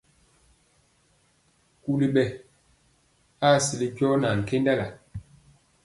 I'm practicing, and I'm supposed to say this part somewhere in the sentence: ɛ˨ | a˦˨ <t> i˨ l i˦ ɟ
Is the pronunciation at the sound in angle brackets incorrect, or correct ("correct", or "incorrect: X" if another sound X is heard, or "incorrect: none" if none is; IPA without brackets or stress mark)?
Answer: incorrect: s